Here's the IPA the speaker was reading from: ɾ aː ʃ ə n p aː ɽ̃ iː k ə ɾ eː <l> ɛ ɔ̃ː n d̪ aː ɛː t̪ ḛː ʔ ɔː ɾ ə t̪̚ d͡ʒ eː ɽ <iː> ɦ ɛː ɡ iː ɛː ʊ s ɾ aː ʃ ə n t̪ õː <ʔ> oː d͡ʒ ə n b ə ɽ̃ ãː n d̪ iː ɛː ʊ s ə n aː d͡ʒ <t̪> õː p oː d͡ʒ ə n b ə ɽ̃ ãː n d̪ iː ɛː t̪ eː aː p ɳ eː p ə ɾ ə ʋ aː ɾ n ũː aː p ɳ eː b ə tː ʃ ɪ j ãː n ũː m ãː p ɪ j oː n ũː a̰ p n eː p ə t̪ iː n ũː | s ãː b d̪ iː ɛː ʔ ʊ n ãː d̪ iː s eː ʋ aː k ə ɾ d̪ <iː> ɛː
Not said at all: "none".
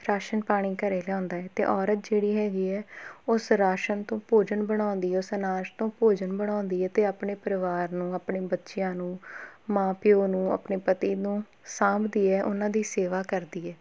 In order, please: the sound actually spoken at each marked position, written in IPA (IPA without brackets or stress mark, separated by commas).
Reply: l, iː, p, t̪, iː